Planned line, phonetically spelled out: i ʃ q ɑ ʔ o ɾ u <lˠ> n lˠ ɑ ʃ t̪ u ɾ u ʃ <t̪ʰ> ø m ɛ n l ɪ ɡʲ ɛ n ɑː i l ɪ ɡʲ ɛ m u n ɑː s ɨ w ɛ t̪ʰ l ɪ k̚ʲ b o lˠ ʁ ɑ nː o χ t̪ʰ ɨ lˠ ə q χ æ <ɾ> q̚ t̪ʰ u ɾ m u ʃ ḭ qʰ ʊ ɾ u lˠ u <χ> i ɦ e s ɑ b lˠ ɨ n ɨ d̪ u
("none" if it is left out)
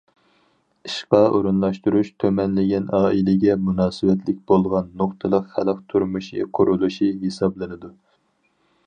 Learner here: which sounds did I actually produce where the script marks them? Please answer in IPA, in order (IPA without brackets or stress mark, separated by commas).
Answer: none, t̪ʰ, l, ʃ